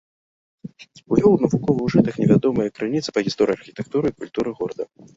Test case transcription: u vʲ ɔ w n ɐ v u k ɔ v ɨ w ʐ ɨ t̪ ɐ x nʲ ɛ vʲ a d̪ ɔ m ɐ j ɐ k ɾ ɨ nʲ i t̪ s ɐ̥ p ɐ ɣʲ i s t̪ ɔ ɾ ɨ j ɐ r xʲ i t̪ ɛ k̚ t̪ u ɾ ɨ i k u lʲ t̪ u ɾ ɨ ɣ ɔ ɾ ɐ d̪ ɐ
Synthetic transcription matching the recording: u vʲ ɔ w n ɐ v u k ɔ v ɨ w ʐ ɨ t̪ ɐ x nʲ ɛ vʲ a d̪ ɔ m ɐ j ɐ k ɾ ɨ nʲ i t̪ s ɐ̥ p ɐ ɣʲ i s t̪ ɔ ɾ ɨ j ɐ r xʲ i t̪ ɛ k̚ t̪ u ɾ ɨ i k u lʲ t̪ u ɾ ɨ ɣ ɔ ɾ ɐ d̪ ɐ